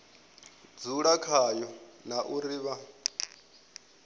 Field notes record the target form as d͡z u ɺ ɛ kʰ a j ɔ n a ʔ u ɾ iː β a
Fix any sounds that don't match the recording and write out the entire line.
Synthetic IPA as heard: d͡z u ɺ a kʰ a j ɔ n a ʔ u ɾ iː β a